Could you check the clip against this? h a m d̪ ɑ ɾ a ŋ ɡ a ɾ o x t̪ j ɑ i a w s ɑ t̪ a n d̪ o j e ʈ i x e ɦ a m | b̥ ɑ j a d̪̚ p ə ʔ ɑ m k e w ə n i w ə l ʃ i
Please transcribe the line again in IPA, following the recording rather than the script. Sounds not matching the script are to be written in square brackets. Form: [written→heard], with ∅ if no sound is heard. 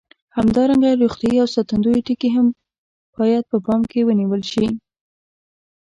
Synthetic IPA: h a m d̪ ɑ ɾ a ŋ ɡ a ɾ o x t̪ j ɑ i a w s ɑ t̪ a n d̪ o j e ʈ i [x→k] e ɦ a m | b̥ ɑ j a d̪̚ p ə [ʔ→p] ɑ m k e w ə n i w ə l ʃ i